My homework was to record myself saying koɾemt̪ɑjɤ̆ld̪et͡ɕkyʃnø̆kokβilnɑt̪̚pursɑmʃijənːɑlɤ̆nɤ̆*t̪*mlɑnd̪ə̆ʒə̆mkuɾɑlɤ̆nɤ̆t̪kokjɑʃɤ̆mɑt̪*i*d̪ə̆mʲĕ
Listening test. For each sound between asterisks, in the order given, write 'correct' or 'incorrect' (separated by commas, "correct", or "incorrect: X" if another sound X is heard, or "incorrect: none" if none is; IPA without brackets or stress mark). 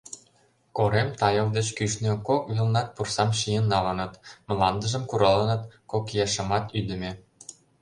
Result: correct, incorrect: y